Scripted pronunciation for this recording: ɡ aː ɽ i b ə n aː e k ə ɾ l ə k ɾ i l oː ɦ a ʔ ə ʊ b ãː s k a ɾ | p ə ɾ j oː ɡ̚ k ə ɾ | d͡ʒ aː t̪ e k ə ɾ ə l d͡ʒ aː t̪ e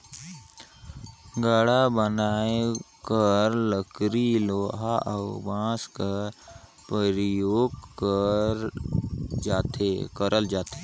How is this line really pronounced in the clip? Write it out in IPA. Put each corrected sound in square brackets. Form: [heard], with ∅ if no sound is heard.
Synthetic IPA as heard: ɡ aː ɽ [a] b ə n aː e k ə ɾ l ə k ɾ i l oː ɦ a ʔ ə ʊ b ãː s k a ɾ | p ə ɾ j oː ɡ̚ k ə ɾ | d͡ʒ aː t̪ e k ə ɾ ə l d͡ʒ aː t̪ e